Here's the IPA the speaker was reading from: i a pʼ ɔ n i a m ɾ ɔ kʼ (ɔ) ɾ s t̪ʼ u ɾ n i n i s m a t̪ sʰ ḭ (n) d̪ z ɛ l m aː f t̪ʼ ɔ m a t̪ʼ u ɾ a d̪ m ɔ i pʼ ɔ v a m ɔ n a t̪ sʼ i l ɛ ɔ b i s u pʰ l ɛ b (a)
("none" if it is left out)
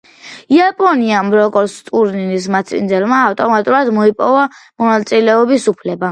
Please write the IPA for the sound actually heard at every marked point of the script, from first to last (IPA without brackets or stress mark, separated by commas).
ɔ, n, a